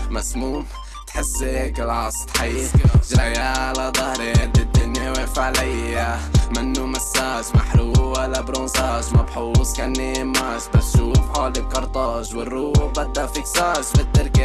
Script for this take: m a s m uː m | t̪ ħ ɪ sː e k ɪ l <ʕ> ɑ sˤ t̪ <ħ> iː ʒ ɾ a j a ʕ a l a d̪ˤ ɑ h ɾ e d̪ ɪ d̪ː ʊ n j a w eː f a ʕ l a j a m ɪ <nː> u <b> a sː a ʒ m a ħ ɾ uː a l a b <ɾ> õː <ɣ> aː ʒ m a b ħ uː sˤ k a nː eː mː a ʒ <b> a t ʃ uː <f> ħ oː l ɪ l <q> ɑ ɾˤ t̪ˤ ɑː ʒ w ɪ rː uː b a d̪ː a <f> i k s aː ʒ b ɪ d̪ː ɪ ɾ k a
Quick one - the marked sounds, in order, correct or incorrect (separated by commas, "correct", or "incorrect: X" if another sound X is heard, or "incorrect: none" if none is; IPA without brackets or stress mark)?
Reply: correct, correct, correct, incorrect: m, correct, incorrect: z, correct, correct, incorrect: k, correct